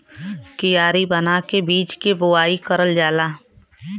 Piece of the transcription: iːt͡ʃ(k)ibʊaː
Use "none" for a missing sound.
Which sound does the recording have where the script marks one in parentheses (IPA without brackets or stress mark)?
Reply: k